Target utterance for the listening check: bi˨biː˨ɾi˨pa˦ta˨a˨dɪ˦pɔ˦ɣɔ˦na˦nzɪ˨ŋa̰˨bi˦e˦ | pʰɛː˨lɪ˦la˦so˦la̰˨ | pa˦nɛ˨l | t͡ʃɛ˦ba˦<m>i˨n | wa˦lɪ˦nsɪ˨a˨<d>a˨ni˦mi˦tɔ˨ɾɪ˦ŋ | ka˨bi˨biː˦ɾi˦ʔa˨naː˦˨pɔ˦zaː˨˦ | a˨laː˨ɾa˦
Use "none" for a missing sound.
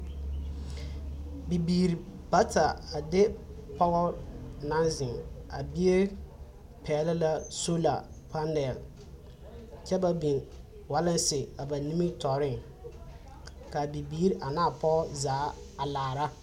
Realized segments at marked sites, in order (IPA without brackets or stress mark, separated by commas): b, b